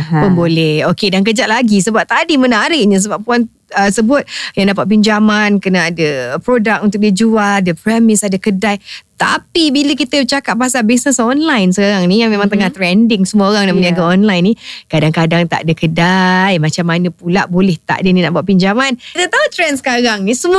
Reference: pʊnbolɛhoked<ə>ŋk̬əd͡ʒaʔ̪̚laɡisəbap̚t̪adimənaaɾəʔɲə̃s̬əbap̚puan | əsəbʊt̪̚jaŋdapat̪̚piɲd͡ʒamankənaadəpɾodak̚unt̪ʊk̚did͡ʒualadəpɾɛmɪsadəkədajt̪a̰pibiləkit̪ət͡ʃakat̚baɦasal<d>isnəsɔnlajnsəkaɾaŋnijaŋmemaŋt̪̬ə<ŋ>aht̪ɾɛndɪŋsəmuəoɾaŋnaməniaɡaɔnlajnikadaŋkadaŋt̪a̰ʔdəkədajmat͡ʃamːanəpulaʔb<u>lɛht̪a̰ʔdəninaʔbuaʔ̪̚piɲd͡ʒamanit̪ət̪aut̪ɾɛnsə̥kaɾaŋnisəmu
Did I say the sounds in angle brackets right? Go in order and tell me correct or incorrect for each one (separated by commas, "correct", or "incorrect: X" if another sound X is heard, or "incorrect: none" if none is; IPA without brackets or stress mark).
incorrect: a, incorrect: b, correct, incorrect: o